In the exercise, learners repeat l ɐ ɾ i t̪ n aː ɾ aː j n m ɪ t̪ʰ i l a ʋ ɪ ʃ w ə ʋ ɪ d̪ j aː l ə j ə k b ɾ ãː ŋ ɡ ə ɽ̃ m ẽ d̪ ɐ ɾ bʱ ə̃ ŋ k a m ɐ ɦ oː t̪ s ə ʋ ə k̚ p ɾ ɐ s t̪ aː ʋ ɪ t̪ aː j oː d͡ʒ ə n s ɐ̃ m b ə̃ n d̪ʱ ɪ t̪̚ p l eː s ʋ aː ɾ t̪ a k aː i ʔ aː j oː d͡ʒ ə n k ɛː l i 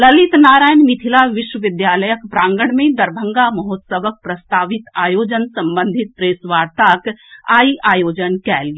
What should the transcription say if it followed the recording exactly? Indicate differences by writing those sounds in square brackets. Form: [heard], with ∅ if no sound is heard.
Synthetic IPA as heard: l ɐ [l] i t̪ n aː ɾ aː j n m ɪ t̪ʰ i l a ʋ ɪ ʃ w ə ʋ ɪ d̪ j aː l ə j ə k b ɾ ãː ŋ ɡ ə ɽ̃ m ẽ d̪ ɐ ɾ bʱ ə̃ ŋ [ɡ] a m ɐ ɦ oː t̪ s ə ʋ ə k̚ p ɾ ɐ s t̪ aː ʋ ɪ t̪ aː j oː d͡ʒ ə n s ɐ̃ m b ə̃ n d̪ʱ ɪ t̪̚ p [ɾ] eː s ʋ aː ɾ t̪ a k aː i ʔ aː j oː d͡ʒ ə n k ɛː l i